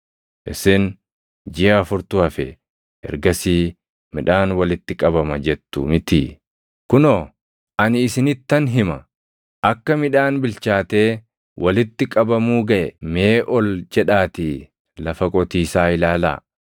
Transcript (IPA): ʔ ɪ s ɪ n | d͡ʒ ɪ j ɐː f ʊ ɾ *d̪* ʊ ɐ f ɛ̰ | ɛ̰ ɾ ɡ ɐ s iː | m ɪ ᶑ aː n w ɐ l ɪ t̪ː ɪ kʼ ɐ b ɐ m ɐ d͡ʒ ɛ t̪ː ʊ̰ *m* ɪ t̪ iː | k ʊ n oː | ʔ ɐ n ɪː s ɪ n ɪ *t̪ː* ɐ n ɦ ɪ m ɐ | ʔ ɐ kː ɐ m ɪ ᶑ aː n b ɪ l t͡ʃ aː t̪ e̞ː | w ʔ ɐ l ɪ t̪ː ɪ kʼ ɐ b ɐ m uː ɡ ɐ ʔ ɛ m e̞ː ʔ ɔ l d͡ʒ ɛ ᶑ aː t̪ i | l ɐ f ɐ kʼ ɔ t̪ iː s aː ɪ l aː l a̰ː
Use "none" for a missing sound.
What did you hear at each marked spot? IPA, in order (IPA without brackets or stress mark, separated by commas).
t̪, m, t̪ː